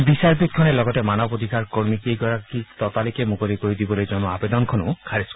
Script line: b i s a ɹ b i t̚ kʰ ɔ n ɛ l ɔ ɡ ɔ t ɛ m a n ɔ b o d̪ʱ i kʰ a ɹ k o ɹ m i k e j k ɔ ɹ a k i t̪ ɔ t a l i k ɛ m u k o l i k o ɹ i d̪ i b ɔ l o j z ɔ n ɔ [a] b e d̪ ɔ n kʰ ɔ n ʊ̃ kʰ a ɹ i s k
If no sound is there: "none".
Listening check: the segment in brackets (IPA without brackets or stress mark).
a